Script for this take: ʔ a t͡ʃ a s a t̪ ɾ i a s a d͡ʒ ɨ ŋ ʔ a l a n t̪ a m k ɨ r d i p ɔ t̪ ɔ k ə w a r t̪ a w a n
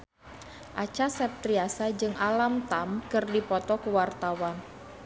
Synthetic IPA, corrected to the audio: ʔ a t͡ʃ a s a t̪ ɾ i a s a d͡ʒ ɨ ŋ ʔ a l a m t̪ a m k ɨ r d i p ɔ t̪ ɔ k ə w a r t̪ a w a n